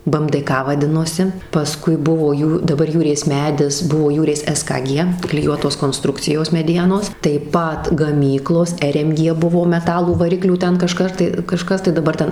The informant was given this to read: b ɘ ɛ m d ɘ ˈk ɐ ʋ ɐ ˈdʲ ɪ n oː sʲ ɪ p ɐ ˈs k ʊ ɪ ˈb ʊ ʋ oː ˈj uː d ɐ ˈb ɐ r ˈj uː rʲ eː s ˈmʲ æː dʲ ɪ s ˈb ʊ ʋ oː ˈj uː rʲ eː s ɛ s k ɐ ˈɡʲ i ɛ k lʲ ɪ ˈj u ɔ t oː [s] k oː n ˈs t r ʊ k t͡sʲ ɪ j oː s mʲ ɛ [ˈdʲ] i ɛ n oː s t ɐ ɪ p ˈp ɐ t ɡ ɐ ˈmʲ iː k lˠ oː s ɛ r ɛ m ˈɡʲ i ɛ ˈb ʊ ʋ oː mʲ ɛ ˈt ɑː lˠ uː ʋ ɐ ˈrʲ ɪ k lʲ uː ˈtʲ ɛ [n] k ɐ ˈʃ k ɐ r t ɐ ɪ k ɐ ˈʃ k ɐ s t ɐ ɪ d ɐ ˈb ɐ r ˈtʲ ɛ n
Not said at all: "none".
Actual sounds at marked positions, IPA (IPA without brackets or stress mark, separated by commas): s, dʲ, n